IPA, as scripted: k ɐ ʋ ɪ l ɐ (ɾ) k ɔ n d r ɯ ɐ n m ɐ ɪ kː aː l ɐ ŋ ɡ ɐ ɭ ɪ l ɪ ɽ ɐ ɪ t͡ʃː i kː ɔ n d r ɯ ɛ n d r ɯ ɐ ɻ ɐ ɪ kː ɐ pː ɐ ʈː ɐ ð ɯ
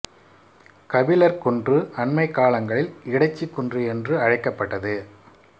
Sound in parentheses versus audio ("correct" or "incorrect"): correct